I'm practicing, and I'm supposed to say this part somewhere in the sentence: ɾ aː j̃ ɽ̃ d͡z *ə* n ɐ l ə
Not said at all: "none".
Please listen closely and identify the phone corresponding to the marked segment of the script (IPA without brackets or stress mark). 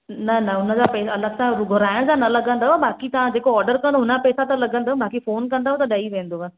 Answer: a